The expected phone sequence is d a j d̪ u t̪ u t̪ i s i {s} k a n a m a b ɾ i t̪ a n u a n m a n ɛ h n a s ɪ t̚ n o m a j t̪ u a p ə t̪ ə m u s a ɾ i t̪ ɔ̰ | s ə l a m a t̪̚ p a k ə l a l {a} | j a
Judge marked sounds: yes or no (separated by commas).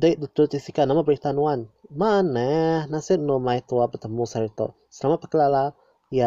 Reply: no, yes